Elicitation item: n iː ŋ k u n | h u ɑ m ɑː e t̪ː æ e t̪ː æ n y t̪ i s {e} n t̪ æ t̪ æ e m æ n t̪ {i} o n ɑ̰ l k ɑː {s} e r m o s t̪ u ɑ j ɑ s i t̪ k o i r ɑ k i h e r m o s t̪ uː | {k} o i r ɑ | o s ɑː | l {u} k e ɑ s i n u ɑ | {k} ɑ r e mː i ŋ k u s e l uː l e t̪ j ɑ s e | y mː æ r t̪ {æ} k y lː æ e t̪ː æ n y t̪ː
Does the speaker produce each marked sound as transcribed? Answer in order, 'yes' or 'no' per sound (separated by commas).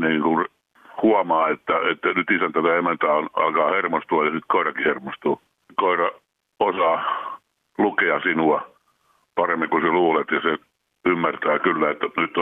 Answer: no, no, no, yes, yes, no, no